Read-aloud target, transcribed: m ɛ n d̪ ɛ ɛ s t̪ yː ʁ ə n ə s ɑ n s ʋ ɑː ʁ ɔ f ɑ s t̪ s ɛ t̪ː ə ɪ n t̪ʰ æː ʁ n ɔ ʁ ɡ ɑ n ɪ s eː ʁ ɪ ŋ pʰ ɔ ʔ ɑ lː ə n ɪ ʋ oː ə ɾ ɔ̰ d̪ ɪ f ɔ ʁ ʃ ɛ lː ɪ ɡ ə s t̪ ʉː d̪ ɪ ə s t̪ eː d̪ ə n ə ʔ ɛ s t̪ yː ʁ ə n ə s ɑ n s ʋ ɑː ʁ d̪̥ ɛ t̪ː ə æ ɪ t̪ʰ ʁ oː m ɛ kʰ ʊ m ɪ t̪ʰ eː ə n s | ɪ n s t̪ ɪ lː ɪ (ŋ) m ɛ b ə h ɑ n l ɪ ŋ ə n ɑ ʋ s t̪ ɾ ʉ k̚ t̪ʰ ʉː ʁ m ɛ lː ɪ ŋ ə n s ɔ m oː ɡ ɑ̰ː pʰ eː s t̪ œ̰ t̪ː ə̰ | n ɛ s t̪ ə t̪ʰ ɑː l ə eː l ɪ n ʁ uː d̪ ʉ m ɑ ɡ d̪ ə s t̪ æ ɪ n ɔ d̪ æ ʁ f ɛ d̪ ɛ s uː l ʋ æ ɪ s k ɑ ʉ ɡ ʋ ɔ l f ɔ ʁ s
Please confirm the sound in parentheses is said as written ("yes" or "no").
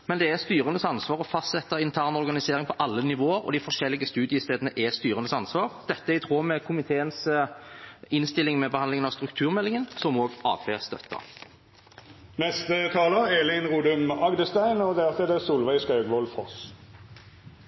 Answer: yes